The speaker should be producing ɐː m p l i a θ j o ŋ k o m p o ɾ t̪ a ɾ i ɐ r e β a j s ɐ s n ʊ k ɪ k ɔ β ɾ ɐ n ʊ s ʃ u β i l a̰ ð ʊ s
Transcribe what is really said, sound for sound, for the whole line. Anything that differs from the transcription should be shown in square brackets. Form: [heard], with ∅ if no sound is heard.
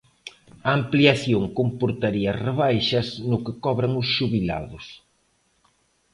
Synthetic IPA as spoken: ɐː m p l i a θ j o ŋ k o m p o ɾ t̪ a ɾ i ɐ r e β a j [ʃ] ɐ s n ʊ k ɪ k ɔ β ɾ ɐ [ŋ] ʊ s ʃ u β i l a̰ ð ʊ s